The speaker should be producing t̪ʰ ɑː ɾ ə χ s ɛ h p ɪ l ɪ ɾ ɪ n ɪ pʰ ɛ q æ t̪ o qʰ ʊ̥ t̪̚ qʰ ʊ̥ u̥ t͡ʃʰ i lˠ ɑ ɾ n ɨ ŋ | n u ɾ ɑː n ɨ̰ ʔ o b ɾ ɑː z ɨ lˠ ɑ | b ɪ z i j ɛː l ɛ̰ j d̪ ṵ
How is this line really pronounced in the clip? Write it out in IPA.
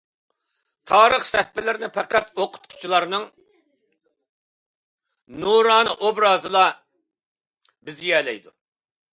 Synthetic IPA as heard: t̪ʰ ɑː ɾ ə χ s ɛ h p ɪ l ɪ ɾ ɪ n ɪ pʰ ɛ q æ t̪ o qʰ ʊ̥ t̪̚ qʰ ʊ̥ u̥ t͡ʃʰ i lˠ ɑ ɾ n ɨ ŋ | n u ɾ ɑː n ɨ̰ ʔ o b ɾ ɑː z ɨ lˠ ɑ | b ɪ z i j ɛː l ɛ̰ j d̪ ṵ